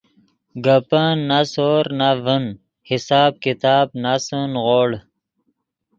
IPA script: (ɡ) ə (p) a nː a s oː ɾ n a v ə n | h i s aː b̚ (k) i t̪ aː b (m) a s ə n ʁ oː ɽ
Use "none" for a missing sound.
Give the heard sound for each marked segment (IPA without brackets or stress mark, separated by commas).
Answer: ɡ, p, k, n